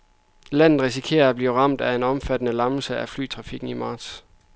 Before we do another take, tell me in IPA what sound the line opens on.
l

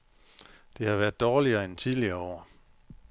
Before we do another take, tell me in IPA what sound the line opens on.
d̥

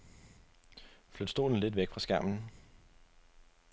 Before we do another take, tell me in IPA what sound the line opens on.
f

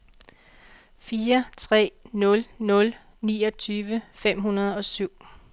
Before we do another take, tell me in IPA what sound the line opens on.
f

